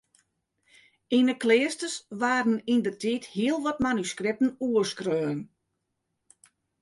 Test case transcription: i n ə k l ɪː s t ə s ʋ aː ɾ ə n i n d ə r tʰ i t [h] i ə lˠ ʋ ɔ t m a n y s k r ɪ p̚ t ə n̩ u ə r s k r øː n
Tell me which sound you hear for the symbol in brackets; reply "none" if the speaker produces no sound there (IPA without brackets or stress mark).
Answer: h